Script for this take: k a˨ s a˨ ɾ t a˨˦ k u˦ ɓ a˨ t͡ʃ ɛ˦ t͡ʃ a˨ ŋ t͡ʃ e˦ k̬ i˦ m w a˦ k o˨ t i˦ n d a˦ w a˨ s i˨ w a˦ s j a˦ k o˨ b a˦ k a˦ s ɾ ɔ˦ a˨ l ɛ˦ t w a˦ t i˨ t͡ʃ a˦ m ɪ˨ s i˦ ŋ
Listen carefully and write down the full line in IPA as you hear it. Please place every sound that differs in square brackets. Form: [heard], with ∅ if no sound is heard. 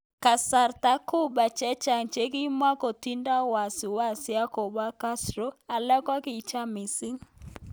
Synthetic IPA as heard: k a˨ s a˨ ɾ t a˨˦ k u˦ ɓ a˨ t͡ʃ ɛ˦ t͡ʃ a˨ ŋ t͡ʃ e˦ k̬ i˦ m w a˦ k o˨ t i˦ n d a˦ w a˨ s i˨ w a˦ s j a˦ k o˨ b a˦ k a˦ s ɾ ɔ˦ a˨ l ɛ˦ [k] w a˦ [k] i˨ t͡ʃ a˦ m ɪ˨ s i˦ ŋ

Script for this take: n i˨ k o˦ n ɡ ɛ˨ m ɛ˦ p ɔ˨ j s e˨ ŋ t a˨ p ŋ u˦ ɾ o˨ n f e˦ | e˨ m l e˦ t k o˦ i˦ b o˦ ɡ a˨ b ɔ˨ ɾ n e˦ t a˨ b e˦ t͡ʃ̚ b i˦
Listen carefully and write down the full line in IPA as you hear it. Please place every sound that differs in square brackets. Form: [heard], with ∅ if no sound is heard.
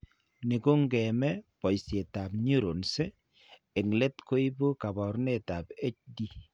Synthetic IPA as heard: n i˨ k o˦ [ŋ] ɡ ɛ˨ m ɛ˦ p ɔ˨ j s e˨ [∅] t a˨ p [ɲ] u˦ ɾ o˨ n [s] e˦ | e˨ [ŋ] l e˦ t k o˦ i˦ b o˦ [k] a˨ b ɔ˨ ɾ n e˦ t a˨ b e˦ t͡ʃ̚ [d] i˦

